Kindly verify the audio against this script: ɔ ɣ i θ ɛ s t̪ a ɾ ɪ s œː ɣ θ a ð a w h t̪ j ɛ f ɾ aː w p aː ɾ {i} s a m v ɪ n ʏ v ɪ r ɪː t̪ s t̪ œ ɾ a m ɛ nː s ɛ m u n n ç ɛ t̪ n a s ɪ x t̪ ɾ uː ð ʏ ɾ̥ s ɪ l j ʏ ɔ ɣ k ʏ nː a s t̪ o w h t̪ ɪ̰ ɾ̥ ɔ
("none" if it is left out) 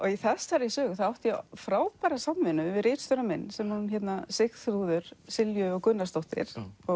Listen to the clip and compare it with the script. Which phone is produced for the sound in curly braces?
a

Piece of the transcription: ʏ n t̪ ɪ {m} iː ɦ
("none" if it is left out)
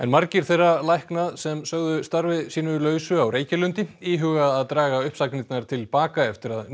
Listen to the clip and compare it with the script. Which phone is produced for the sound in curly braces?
none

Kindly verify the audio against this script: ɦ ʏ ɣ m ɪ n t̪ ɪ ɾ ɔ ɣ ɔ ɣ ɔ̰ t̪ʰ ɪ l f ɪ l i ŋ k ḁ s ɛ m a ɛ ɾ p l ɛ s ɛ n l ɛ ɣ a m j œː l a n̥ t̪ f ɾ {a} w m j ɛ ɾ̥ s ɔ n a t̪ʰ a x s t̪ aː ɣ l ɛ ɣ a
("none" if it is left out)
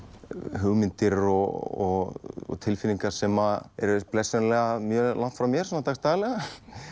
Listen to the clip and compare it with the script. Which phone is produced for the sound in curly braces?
a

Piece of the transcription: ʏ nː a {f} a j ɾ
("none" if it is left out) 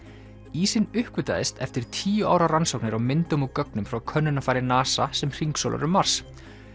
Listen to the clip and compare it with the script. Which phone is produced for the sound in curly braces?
f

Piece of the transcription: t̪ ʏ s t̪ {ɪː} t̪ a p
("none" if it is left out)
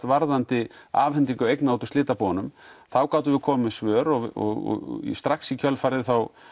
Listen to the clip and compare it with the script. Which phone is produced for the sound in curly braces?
ɪː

